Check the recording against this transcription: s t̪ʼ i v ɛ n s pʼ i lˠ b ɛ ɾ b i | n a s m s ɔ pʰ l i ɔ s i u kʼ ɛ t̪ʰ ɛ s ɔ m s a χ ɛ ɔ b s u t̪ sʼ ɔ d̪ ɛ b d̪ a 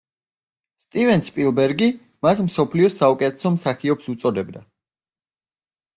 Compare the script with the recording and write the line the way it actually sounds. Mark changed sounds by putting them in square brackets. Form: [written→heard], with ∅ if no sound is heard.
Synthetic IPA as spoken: s t̪ʼ i v ɛ n s pʼ i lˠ b ɛ ɾ [b→ɡ] i | [n→m] a s m s ɔ pʰ l i ɔ s [i→a] u kʼ ɛ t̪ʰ ɛ s ɔ m s a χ [ɛ→i] ɔ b s u t̪ sʼ ɔ d̪ ɛ b d̪ a